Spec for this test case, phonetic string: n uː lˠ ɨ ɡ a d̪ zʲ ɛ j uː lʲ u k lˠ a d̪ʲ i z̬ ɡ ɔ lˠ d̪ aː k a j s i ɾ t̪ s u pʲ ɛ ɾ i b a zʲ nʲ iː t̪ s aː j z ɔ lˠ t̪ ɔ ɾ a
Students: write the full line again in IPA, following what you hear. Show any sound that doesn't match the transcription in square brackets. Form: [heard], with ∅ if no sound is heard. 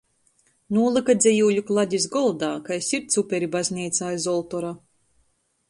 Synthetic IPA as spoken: n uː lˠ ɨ [k] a d̪ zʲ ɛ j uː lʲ u k lˠ a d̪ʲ i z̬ ɡ ɔ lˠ d̪ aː k a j s i ɾ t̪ s u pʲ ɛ ɾ i b a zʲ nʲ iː t̪ s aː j z ɔ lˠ t̪ ɔ ɾ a